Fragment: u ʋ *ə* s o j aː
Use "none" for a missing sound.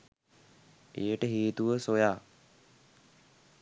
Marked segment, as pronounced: ə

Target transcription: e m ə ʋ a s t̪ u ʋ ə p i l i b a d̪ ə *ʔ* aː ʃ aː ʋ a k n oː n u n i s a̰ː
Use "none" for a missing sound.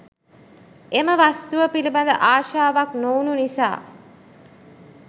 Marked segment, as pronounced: ʔ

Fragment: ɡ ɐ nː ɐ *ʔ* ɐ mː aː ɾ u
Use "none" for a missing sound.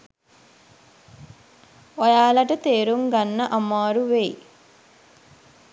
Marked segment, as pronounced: ʔ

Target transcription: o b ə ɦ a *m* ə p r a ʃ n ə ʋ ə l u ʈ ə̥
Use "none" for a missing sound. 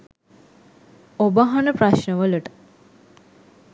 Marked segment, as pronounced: n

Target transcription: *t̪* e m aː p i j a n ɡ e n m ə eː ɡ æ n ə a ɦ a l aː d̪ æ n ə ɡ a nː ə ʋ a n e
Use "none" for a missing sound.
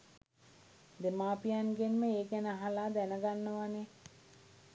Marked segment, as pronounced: d̪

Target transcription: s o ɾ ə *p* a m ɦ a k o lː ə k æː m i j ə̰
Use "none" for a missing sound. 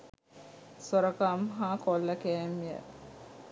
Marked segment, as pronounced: k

